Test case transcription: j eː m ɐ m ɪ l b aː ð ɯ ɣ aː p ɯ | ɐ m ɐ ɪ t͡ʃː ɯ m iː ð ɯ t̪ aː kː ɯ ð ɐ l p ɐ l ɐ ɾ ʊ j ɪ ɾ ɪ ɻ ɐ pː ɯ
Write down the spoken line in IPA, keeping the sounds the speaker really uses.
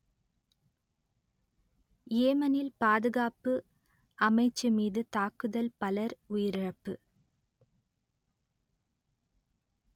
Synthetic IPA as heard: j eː m ɐ n ɪ l p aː ð ɯ ɣ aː p ɯ | ɐ m ɐ ɪ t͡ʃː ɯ m iː ð ɯ t̪ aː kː ɯ ð ɐ l p ɐ l ɐ ɾ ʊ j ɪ ɾ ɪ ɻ ɐ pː ɯ